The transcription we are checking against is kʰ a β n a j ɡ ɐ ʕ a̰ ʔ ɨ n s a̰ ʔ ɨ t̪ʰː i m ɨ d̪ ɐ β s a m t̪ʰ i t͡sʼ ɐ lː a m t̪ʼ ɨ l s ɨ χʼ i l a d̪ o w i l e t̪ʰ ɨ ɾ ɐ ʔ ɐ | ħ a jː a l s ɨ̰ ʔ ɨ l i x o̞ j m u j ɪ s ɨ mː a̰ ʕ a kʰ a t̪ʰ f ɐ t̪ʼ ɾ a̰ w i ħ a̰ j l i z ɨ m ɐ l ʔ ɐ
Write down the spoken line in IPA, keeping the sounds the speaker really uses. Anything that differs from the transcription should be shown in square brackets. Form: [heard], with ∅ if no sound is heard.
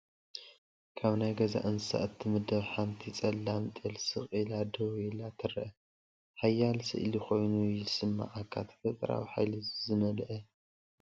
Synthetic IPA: kʰ a β n a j ɡ ɐ [z] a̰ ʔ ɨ n s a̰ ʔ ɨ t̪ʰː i m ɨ d̪ ɐ β [ħ] a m t̪ʰ i t͡sʼ ɐ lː a m t̪ʼ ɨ l s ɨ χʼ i l a d̪ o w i l [a] t̪ʰ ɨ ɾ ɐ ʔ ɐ | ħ a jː a l s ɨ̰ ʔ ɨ l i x o̞ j [n] u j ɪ s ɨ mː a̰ ʕ a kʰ a t̪ʰ f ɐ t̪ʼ ɾ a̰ w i ħ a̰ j l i z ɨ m ɐ l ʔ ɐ